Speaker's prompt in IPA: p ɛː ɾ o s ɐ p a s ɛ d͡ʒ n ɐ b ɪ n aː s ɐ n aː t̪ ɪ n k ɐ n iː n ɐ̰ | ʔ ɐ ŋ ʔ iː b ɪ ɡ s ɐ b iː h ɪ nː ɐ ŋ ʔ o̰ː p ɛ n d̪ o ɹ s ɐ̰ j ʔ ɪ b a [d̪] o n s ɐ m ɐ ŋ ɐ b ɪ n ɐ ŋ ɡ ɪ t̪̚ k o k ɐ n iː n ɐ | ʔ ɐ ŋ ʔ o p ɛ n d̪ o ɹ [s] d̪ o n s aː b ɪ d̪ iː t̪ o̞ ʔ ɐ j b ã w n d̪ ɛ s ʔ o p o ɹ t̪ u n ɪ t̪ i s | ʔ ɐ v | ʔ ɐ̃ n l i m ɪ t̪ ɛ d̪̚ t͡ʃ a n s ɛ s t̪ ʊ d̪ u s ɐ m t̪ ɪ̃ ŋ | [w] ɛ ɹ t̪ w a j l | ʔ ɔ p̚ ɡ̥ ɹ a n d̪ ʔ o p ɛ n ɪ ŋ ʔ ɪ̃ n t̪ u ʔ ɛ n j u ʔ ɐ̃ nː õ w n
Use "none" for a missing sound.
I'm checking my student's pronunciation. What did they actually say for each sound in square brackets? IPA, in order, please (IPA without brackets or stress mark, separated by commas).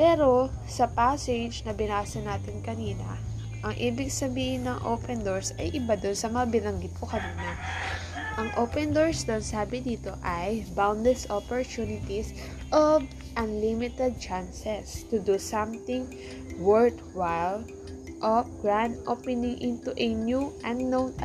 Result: d̪, s, w